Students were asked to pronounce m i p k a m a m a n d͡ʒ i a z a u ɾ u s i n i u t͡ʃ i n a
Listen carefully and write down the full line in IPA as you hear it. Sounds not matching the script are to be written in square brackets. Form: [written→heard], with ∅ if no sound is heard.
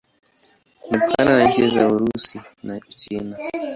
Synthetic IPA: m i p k a [m→n] a [m→n] a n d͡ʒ i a z a u ɾ u s i n [i→a] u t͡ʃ i n a